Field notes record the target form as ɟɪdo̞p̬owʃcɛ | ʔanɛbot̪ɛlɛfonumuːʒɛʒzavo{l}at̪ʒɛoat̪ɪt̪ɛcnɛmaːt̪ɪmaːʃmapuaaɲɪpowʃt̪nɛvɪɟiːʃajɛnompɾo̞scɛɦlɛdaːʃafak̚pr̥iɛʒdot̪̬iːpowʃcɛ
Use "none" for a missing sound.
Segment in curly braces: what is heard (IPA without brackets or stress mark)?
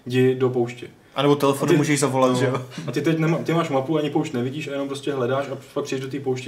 l